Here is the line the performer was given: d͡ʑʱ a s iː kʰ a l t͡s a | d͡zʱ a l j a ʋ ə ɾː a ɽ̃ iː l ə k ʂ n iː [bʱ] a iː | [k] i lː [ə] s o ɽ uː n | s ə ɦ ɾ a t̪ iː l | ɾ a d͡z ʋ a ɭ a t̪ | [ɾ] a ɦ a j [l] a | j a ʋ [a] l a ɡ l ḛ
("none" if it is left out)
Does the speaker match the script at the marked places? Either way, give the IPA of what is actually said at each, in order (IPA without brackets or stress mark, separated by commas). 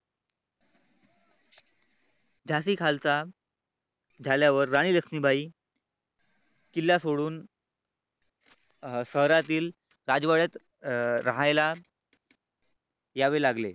bʱ, k, a, ɾ, l, e